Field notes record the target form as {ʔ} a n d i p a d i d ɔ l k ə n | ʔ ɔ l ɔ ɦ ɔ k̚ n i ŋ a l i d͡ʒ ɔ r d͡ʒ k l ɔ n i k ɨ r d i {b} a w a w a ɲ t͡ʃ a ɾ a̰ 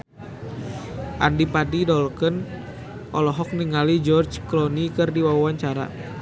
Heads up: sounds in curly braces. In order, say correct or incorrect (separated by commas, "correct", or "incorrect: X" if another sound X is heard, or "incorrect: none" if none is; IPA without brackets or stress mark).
correct, incorrect: w